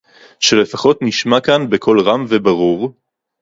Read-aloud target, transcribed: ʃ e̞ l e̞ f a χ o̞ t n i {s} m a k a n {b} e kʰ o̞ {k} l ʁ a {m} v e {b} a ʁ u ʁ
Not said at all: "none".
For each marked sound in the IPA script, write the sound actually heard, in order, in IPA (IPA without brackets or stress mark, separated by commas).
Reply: ʃ, b, none, m, b